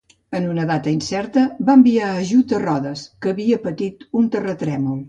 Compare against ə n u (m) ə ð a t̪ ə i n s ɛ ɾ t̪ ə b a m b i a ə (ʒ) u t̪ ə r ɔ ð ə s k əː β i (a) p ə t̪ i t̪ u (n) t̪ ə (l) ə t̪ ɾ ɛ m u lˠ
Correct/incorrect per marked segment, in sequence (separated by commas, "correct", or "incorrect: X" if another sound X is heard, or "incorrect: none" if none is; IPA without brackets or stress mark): incorrect: n, correct, incorrect: ə, correct, incorrect: r